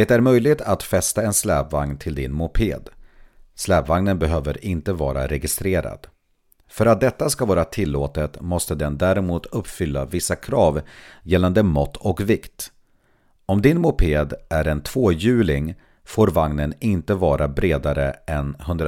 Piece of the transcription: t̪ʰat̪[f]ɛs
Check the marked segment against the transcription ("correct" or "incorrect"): correct